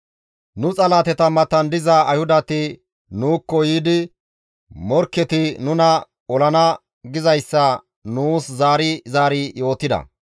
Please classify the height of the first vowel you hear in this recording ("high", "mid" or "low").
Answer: high